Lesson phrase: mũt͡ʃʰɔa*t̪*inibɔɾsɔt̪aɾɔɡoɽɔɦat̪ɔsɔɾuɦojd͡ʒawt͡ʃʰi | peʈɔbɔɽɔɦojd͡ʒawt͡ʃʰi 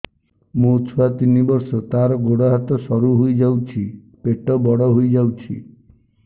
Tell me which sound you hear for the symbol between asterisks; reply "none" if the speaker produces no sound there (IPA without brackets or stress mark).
t̪